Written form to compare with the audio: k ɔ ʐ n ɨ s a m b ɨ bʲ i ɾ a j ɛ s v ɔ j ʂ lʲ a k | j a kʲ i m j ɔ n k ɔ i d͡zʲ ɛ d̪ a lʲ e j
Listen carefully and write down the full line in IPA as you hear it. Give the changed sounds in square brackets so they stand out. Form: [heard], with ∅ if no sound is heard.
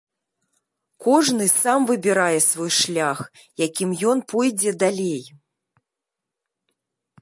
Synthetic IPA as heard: k ɔ ʐ n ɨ s a m [v] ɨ bʲ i ɾ a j ɛ s v ɔ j ʂ lʲ a [x] | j a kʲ i m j ɔ n [p] ɔ [j] d͡zʲ ɛ d̪ a lʲ e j